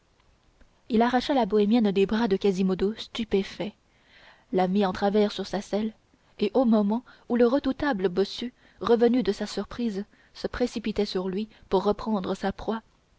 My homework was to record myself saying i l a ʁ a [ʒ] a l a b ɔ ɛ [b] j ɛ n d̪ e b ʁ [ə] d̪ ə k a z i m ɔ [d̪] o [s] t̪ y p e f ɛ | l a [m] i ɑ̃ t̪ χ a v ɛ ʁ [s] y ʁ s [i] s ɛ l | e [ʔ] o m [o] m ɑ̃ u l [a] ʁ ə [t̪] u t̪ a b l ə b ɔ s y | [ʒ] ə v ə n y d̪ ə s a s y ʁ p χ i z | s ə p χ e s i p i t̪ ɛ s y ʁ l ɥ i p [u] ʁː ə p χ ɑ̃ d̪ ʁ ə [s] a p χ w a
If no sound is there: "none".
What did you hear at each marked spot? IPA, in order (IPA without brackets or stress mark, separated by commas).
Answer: ʃ, m, a, d̪, s, m, s, a, ʔ, ɔ, ə, d̪, ʁ, u, s